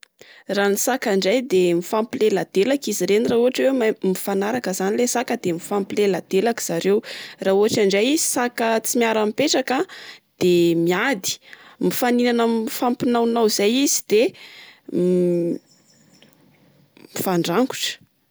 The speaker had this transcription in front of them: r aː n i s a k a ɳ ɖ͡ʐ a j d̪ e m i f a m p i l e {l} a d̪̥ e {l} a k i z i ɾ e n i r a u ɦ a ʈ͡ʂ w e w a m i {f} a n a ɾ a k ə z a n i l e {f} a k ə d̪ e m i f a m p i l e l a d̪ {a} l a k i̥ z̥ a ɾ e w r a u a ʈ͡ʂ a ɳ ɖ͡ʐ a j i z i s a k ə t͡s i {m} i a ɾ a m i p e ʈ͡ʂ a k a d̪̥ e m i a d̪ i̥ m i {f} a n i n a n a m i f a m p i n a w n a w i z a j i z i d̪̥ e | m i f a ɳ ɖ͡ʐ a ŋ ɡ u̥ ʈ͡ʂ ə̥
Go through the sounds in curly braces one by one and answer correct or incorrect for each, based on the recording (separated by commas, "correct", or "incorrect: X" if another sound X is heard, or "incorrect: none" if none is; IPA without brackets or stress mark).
correct, correct, correct, incorrect: s, incorrect: e, correct, correct